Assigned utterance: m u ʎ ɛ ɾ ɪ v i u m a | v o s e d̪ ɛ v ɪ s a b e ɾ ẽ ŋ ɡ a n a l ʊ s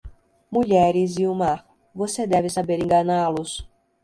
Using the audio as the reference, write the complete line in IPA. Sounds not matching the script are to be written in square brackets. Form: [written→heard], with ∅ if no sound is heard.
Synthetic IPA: m u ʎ ɛ ɾ ɪ [v→z] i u m a | v o s e d̪ ɛ v ɪ s a b e ɾ ẽ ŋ ɡ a n a l ʊ s

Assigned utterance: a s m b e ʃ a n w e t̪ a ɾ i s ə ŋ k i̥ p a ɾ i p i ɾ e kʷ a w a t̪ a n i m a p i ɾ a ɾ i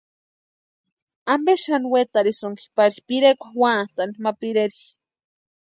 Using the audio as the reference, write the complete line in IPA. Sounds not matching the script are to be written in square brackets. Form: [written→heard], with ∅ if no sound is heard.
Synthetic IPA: a [s→∅] m b e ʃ a n w e t̪ a ɾ i s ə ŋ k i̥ p a ɾ i p i ɾ e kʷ a w a t̪ a n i m a p i ɾ [a→e] ɾ i

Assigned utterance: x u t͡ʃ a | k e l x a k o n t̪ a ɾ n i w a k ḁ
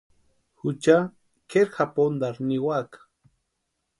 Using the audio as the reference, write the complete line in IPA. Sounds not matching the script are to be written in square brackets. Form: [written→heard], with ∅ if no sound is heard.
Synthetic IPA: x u t͡ʃ a | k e [l→ɾ] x a [k→p] o n [t̪→d̪] a ɾ n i w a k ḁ

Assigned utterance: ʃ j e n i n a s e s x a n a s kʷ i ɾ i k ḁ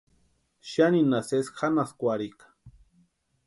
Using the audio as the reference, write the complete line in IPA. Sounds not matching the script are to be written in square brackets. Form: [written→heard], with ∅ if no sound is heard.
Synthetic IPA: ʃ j [e→a] n i n a s e s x a n a s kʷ [i→a] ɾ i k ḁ

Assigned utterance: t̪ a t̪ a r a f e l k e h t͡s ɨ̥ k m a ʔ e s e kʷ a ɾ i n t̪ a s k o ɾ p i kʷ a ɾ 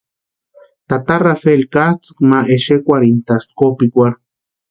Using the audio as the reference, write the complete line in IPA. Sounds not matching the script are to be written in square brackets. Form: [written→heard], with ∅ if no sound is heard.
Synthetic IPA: t̪ a t̪ a r a f e l k [e→a] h t͡s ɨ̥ k m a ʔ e [s→ʃ] e kʷ a ɾ i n t̪ a s k o [ɾ→∅] p i kʷ a ɾ

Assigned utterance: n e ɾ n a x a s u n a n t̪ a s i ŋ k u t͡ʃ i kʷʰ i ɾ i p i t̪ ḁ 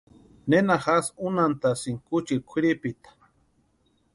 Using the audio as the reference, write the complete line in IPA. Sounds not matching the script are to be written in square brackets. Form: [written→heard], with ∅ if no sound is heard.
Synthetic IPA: n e [ɾ→∅] n a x a s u n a n t̪ a s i ŋ k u t͡ʃ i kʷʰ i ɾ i p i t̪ ḁ

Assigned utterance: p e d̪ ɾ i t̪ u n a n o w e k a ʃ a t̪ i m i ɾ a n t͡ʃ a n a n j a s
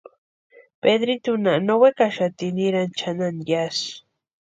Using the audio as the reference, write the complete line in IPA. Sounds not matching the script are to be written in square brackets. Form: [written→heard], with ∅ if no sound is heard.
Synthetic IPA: p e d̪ ɾ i t̪ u n a n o w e k a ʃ a t̪ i [m→n] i ɾ a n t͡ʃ a n a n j a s

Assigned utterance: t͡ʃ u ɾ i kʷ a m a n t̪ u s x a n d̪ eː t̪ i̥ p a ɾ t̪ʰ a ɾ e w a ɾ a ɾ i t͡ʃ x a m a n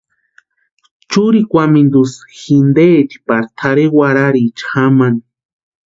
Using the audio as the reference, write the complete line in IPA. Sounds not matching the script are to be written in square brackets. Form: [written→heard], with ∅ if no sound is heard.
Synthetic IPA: t͡ʃ u ɾ i kʷ a m [a→i] n [t̪→d̪] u s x [a→i] n d̪ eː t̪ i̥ p a ɾ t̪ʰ a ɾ e w a ɾ a ɾ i t͡ʃ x a m a n

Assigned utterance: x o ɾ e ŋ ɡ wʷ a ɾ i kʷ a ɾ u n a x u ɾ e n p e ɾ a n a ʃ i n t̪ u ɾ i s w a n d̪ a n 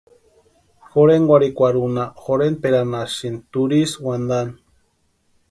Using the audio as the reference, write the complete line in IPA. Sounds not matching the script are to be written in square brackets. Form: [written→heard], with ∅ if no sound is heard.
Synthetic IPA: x o ɾ e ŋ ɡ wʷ a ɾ i kʷ a ɾ u n a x [u→o] ɾ e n p e ɾ a n a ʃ i n t̪ u ɾ i s w a n d̪ a n

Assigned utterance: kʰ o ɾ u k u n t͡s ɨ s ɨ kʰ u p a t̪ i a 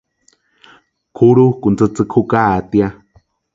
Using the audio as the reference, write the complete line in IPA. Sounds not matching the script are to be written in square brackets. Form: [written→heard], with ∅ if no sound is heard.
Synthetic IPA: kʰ [o→u] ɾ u k u n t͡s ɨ [s→t͡s] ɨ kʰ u [p→k] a t̪ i a

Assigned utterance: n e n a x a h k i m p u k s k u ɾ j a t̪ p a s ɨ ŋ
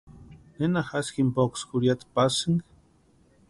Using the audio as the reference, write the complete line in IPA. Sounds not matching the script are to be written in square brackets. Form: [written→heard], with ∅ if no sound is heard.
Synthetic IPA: n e n a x a [h→s] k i m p [u→o] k s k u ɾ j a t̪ p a s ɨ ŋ

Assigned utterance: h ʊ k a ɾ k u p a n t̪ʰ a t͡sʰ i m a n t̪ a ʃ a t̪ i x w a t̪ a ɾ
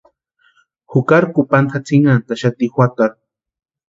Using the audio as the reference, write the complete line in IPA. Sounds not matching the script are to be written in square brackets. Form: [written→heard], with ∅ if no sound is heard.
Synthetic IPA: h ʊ k a ɾ k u p a n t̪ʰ a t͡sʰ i [m→ŋ] a n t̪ a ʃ a t̪ i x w a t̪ a ɾ

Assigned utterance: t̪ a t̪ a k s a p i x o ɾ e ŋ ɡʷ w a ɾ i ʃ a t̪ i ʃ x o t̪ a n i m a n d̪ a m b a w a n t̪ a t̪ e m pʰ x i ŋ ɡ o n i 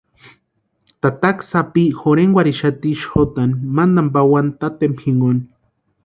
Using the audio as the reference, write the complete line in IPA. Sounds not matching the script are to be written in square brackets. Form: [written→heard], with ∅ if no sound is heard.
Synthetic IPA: t̪ a t̪ a k s a p i x o ɾ e ŋ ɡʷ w a ɾ i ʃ a t̪ i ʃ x o t̪ a n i m a n d̪ a m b a w a n t̪ a t̪ e m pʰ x i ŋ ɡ o n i

